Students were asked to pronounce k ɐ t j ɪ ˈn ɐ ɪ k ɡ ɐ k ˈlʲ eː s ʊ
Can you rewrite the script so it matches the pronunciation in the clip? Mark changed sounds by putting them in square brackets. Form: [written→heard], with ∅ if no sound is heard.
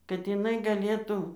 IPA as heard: k ɐ t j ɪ ˈn ɐ ɪ [k→∅] ɡ ɐ [k→∅] ˈlʲ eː [s→t] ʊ